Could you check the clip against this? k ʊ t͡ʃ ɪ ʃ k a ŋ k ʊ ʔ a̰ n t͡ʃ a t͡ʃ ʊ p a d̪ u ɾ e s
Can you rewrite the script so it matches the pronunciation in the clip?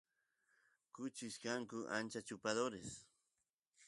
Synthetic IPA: k ʊ t͡ʃ ɪ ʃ k a ŋ k ʊ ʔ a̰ n t͡ʃ a t͡ʃ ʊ p a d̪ o ɾ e s